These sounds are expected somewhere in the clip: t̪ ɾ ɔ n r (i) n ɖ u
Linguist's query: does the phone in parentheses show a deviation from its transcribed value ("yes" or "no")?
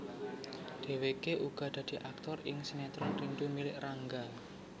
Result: no